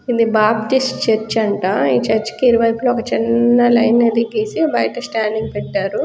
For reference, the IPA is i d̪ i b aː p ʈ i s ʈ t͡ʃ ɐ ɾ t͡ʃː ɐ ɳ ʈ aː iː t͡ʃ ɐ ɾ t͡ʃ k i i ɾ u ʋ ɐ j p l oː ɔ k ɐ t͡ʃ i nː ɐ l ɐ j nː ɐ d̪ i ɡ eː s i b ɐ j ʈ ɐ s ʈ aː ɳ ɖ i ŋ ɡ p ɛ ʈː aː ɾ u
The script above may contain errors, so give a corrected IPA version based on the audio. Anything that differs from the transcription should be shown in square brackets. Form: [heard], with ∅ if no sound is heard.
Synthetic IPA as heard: i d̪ i b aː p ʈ i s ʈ t͡ʃ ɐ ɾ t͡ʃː ɐ ɳ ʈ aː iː t͡ʃ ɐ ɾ t͡ʃ k i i ɾ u ʋ ɐ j p l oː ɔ k ɐ t͡ʃ i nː ɐ l ɐ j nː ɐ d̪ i ɡ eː s i b ɐ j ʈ ɐ s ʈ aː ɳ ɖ i ŋ ɡ p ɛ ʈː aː ɾ u